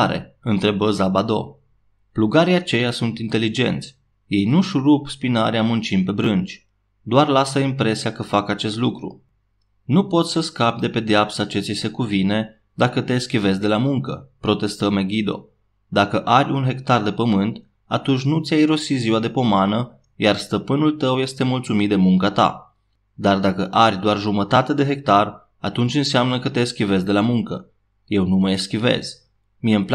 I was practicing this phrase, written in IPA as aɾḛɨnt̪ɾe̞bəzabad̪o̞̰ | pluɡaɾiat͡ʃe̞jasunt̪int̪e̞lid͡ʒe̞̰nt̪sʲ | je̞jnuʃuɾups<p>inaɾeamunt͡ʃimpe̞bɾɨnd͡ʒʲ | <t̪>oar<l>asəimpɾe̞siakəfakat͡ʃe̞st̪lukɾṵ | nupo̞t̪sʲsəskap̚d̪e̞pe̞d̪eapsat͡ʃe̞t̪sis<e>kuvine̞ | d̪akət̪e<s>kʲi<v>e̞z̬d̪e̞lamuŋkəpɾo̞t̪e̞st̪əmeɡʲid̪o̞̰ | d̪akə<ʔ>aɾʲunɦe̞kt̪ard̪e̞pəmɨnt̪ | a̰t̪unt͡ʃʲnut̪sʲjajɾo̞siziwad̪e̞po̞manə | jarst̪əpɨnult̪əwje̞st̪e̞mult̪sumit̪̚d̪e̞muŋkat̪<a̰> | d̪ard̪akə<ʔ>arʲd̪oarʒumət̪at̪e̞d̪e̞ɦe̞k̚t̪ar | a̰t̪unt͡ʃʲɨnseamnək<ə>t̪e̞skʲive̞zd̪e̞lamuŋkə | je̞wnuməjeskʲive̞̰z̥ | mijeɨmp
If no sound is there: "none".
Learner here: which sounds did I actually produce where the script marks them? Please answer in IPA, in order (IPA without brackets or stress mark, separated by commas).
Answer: p, d̪, l, e, s, v, ʔ, a̰, ʔ, ə